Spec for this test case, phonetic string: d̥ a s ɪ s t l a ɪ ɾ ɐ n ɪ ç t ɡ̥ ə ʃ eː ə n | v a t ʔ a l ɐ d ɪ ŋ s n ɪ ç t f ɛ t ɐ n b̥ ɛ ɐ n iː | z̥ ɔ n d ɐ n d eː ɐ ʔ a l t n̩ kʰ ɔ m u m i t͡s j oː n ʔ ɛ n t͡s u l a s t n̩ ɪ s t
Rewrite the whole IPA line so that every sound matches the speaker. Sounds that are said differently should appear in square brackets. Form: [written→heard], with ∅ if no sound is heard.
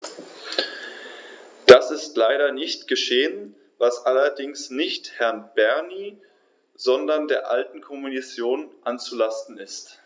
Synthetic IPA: d̥ a s ɪ s t l a ɪ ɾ ɐ n ɪ ç t ɡ̥ ə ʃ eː ə n | v a [t→s] ʔ a l ɐ d ɪ ŋ s n ɪ ç t [f→h] ɛ [t→∅] ɐ n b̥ ɛ ɐ n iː | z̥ ɔ n d ɐ n d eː ɐ ʔ a l t n̩ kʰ ɔ m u [m→n] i t͡s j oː n ʔ [ɛ→a] n t͡s u l a s t n̩ ɪ s t